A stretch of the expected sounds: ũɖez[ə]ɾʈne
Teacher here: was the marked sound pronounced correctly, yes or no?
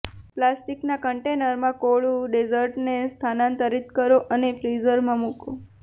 yes